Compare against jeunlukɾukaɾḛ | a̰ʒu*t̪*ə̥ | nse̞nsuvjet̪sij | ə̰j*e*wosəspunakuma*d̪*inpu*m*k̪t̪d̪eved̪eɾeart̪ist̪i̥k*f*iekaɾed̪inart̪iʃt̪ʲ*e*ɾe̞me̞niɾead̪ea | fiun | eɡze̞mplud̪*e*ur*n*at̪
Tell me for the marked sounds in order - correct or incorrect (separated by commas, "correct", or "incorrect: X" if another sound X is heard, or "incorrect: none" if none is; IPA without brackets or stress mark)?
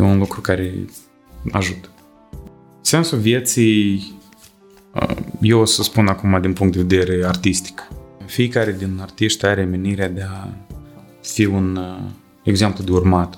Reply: correct, correct, correct, incorrect: ŋ, correct, incorrect: a, correct, incorrect: m